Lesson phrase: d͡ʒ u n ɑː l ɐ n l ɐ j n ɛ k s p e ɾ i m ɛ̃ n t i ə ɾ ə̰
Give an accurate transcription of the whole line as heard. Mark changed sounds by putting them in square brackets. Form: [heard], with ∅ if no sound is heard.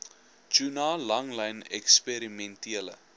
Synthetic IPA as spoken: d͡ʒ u n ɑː l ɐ [ŋ] l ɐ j n ɛ k s p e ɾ i m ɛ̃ n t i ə [l] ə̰